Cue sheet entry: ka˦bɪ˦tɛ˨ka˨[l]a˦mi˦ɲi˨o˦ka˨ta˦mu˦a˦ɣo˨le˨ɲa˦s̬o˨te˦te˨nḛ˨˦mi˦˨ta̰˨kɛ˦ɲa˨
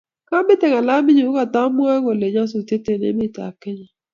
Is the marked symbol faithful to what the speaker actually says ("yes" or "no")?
yes